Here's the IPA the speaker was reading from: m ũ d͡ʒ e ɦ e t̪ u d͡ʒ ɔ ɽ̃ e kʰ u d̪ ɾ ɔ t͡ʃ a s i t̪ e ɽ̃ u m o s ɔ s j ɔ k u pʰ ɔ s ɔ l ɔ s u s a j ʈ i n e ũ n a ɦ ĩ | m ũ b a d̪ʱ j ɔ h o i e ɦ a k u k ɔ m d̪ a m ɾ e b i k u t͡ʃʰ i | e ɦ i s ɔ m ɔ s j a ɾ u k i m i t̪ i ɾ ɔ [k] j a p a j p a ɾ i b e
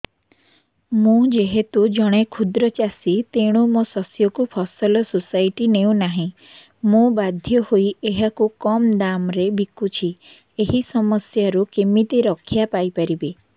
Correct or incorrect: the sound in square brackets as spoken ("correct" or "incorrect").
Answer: incorrect